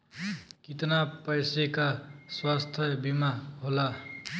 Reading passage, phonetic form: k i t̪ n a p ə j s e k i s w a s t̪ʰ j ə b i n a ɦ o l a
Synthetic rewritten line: k i t̪ n a p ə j s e k a s w a s t̪ʰ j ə b i m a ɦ o l a